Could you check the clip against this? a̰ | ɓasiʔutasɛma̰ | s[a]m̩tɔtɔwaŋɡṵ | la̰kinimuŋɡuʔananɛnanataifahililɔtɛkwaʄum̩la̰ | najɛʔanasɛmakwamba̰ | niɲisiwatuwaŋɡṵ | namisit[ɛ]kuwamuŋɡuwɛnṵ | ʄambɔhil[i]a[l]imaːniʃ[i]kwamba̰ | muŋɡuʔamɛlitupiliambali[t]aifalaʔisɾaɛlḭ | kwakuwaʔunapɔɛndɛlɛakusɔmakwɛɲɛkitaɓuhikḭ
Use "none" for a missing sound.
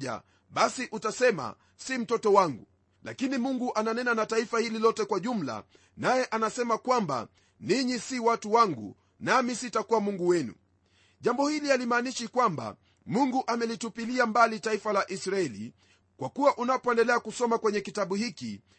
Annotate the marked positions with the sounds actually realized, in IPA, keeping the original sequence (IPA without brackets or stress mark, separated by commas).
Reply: i, a, i, l, i, t